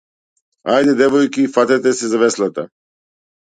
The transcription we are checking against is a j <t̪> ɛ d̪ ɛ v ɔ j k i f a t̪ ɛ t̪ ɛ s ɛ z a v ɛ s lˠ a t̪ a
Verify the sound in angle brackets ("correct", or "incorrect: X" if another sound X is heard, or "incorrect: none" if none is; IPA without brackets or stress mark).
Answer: incorrect: d̪